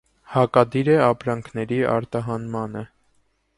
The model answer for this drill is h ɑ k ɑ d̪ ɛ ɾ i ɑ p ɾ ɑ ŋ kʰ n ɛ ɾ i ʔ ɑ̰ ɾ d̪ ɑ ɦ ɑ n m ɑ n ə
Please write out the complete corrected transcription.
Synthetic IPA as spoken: h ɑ k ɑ d̪ i ɾ ɛ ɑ p ɾ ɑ ŋ kʰ n ɛ ɾ i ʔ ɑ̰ ɾ t̪ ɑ ɦ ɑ n m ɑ n ə